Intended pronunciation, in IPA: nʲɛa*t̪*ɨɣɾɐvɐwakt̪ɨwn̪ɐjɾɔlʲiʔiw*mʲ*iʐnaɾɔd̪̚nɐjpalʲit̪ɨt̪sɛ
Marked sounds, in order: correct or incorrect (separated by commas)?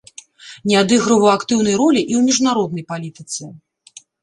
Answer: incorrect, correct